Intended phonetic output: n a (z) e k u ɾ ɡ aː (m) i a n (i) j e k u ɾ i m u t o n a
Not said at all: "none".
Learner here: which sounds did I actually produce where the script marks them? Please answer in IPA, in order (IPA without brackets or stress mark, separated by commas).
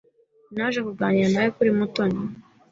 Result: ʒ, ɲ, a